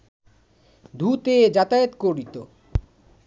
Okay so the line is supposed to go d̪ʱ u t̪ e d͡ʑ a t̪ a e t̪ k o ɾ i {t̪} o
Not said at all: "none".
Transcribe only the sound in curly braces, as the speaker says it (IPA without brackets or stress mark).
t̪